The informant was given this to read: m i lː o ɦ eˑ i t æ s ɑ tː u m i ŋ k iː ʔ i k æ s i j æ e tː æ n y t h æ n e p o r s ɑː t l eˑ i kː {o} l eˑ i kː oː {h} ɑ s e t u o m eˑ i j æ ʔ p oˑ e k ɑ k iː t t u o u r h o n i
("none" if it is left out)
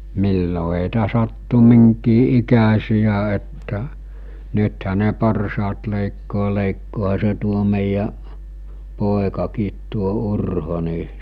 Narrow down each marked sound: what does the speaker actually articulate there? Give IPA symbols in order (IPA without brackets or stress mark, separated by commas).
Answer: oː, h